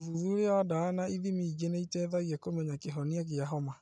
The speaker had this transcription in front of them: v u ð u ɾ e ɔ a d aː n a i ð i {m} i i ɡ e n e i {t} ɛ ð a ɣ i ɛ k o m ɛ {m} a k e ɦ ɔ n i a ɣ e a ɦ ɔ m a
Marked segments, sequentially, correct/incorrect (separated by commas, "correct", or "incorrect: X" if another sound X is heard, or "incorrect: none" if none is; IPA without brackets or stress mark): correct, correct, incorrect: ɲ